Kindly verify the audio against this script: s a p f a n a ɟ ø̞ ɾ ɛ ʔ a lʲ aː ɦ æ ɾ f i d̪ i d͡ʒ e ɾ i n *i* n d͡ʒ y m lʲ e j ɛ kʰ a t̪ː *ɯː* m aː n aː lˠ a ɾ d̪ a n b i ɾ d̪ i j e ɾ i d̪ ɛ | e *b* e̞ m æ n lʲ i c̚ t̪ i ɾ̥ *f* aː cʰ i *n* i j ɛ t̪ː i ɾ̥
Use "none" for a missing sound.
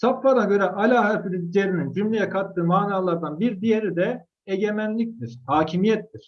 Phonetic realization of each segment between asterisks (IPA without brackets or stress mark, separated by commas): i, ɯː, ɟ, h, m